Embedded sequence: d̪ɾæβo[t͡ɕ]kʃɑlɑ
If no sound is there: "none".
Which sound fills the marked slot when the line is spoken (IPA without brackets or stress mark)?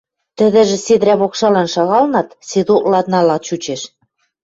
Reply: none